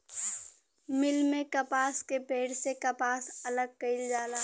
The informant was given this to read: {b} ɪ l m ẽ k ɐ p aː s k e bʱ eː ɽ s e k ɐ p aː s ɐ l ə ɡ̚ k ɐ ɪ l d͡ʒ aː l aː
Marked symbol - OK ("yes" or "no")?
no